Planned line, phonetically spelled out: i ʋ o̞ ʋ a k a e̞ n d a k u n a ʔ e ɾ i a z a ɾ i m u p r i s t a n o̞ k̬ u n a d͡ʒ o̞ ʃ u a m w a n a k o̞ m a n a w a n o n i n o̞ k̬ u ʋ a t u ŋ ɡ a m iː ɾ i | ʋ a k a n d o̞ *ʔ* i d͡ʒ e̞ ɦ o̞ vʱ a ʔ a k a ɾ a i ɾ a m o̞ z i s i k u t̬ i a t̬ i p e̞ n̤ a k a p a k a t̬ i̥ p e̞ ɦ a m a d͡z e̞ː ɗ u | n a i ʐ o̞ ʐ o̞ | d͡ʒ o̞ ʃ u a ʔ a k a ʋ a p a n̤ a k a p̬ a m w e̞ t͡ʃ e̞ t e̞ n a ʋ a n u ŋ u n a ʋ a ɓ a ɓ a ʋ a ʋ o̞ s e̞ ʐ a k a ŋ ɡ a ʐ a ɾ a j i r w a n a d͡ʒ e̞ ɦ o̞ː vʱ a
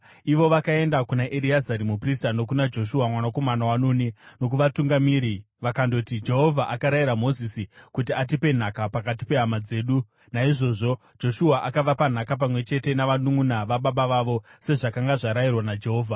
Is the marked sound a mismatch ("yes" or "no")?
yes